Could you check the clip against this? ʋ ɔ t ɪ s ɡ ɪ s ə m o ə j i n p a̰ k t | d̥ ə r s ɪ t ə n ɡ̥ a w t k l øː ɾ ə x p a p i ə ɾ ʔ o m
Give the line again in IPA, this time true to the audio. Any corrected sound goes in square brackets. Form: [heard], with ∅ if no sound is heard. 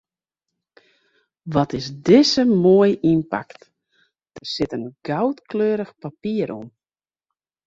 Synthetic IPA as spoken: ʋ ɔ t ɪ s [d] ɪ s ə m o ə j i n p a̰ k t | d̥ ə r s ɪ t ə n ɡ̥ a w t k l øː ɾ ə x p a p i ə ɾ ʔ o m